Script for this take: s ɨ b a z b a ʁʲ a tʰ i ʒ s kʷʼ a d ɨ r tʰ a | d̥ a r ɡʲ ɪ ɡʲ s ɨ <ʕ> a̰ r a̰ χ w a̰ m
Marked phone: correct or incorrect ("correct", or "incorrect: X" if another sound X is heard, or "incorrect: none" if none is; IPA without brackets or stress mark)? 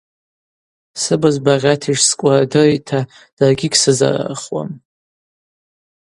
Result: incorrect: z